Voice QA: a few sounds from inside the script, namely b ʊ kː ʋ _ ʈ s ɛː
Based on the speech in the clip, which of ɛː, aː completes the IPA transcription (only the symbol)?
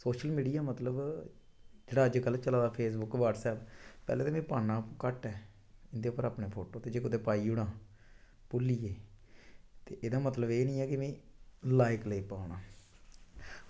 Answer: aː